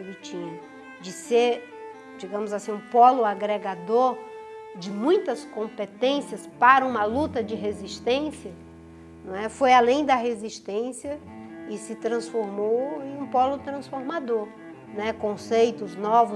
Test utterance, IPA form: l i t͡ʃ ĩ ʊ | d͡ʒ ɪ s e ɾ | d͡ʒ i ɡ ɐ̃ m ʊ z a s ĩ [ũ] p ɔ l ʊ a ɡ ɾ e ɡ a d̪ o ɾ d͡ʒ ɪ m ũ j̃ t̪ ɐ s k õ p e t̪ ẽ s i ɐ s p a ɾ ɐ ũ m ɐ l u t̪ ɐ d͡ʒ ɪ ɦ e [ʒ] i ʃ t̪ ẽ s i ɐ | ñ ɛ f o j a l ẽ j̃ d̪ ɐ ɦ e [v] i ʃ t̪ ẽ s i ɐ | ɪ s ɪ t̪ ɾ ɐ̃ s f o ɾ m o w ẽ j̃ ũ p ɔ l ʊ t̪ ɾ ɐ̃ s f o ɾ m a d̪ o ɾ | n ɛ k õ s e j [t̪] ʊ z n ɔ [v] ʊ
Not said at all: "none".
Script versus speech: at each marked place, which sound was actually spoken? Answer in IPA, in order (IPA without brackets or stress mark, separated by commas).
ũ, z, z, t̪, v